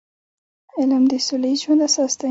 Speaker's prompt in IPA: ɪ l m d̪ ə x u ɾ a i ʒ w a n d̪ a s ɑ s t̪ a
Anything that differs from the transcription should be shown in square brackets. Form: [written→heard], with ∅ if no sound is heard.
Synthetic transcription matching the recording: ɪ l m d̪ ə [x→s] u [ɾ→l] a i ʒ w a n d̪ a s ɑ s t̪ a